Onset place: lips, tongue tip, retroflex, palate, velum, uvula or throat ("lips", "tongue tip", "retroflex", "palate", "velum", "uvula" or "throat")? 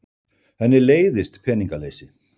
throat